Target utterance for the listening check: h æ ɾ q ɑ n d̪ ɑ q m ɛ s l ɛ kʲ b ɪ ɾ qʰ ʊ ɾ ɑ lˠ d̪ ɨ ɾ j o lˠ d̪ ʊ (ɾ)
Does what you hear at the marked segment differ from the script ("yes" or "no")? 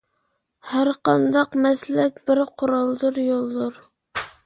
no